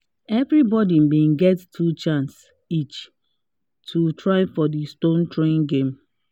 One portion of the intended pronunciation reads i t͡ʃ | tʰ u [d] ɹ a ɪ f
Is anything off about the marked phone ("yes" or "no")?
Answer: yes